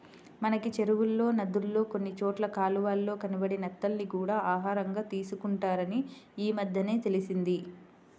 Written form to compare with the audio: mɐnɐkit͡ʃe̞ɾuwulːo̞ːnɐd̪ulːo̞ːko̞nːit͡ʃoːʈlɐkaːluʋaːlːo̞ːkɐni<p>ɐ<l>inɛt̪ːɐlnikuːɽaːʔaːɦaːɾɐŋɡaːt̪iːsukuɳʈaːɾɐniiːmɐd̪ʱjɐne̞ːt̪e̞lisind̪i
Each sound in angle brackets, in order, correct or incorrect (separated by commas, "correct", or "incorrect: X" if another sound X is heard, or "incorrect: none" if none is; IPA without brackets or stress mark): incorrect: b, incorrect: ɽ